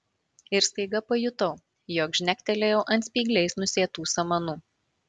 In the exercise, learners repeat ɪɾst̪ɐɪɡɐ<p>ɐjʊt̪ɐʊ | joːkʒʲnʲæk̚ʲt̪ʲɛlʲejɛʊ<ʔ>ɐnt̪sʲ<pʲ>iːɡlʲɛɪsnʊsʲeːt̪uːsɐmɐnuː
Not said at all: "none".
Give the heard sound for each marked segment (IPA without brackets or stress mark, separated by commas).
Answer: p, ʔ, pʲ